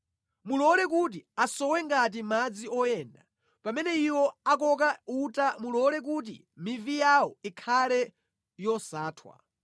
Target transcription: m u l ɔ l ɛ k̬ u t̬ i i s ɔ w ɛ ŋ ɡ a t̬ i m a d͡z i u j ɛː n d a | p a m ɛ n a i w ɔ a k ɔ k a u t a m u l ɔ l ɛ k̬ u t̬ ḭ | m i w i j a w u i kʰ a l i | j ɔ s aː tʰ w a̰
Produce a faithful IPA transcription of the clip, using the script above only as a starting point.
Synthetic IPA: m u l ɔ l ɛ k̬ u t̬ i a s ɔ w ɛ ŋ ɡ a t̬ i m a d͡z i ɔ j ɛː n d a | p a m ɛ n ɛ i w ɔ a k ɔ k a u t a m u l ɔ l ɛ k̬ u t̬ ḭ | m i v i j a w ɔ i kʰ a l ɛ | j ɔ s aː tʰ w a̰